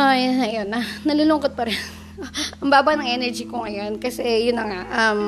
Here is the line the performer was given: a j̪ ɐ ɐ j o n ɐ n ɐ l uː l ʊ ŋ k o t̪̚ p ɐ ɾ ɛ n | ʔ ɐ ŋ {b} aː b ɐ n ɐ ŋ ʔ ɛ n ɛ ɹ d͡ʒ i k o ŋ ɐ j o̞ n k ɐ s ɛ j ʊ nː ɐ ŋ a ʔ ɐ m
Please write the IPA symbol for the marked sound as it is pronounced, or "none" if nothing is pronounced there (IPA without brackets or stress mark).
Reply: b